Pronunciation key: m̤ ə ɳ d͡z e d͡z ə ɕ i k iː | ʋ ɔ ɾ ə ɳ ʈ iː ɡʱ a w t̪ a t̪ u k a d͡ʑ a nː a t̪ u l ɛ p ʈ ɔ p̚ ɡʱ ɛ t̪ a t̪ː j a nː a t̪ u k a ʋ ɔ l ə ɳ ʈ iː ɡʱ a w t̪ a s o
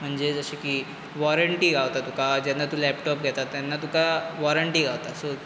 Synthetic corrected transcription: m̤ ə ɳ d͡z e d͡z ə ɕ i k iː | ʋ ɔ ɾ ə ɳ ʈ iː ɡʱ a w t̪ a t̪ u k a d͡ʑ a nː a t̪ u l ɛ p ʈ ɔ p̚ ɡʱ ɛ t̪ a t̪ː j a nː a t̪ u k a ʋ ɔ ɾ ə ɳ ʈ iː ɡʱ a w t̪ a s o

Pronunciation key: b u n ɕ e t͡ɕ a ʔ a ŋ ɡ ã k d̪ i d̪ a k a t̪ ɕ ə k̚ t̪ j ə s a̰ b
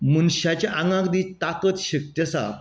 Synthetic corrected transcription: m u n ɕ a t͡ɕ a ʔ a ŋ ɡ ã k d̪ i t̪ a k ə t̪ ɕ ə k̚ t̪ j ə s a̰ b

